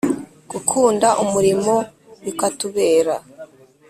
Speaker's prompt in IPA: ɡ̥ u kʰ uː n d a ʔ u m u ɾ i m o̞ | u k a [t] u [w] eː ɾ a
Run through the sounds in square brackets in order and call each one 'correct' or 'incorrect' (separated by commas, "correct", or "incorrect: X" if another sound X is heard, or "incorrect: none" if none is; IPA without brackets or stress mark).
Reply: correct, incorrect: β